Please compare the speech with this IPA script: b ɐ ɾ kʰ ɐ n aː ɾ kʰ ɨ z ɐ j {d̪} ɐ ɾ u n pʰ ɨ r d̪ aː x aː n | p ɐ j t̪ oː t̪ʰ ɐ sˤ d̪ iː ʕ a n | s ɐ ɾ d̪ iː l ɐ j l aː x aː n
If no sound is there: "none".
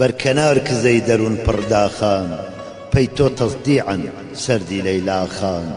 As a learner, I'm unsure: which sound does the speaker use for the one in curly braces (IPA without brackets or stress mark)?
d̪